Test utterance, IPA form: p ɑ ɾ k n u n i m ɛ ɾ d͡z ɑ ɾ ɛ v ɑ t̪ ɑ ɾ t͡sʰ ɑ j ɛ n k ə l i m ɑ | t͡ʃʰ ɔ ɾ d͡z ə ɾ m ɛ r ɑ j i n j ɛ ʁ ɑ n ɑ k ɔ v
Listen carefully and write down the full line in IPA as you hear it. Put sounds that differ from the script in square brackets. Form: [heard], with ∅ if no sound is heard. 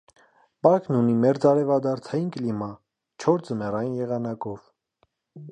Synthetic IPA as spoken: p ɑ ɾ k n u n i m ɛ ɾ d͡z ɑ ɾ ɛ v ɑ [d̪] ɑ ɾ t͡sʰ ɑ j [i] n k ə l i m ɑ | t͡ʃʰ ɔ ɾ d͡z ə [∅] m ɛ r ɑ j i n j ɛ ʁ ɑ n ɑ k ɔ v